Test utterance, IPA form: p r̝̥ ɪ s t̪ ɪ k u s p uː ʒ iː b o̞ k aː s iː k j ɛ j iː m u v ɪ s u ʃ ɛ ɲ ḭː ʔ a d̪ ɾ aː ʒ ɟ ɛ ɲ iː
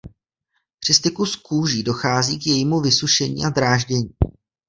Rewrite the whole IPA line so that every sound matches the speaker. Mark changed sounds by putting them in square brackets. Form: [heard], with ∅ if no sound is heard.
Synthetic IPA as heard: p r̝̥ ɪ s t̪ ɪ k u s [k] uː ʒ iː [d] o̞ [x] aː [z] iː k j ɛ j iː m u v ɪ s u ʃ ɛ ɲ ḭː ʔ a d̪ ɾ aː ʒ ɟ ɛ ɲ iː

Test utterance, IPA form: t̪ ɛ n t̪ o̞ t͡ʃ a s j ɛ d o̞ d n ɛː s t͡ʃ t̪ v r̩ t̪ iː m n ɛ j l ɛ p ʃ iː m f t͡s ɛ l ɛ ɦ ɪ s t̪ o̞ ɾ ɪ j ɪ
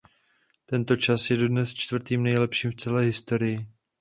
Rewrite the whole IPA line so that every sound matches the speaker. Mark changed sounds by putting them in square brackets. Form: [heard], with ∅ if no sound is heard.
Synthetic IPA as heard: t̪ ɛ n t̪ o̞ t͡ʃ a s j ɛ d o̞ d n [ɛ] s t͡ʃ t̪ v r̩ t̪ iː m n ɛ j l ɛ p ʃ iː m f t͡s ɛ l [ɛː] ɦ ɪ s t̪ o̞ ɾ ɪ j ɪ

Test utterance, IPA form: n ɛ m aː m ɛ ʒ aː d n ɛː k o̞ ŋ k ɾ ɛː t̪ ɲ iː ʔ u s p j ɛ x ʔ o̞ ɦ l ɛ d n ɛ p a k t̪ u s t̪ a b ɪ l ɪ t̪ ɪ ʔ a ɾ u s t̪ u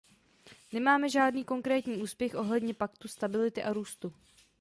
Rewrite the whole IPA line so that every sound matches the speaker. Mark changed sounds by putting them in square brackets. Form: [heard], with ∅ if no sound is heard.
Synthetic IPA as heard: n ɛ m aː m ɛ ʒ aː d n [iː] k o̞ ŋ k ɾ ɛː t̪ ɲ iː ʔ [uː] s p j ɛ x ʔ o̞ ɦ l ɛ d [ɲ] ɛ p a k t̪ u s t̪ a b ɪ l ɪ t̪ ɪ ʔ a ɾ [uː] s t̪ u

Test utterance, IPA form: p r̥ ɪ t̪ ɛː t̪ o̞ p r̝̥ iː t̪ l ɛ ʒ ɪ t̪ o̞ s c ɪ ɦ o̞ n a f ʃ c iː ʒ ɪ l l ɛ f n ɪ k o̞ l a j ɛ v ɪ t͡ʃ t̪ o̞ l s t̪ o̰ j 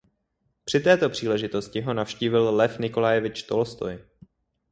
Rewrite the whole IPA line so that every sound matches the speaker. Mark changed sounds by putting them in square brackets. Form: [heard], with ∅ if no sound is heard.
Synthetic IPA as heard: p r̥ ɪ t̪ ɛː t̪ o̞ p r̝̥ iː [∅] l ɛ ʒ ɪ t̪ o̞ s c ɪ ɦ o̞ n a f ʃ c iː [v] ɪ l l ɛ f n ɪ k o̞ l a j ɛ v ɪ t͡ʃ t̪ o̞ l s t̪ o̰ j

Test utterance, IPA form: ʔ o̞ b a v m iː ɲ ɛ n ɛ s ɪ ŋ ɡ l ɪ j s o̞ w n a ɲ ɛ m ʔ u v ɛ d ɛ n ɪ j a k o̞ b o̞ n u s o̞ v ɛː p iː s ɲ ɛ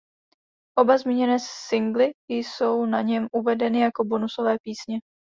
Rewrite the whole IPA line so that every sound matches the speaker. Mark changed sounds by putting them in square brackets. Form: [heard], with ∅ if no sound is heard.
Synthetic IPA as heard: ʔ o̞ b a [z] m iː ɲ ɛ n [ɛː] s ɪ ŋ ɡ l ɪ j s o̞ w n a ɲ ɛ m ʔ u v ɛ d ɛ n ɪ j a k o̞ b o̞ n u s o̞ v ɛː p iː s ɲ ɛ

